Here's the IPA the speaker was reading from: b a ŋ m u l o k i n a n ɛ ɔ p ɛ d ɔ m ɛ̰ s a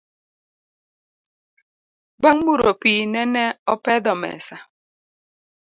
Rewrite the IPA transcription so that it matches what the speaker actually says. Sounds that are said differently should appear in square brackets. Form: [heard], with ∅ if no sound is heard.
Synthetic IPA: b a ŋ m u [ɾ] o [p] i n [ɛ] n ɛ ɔ p ɛ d ɔ m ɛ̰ s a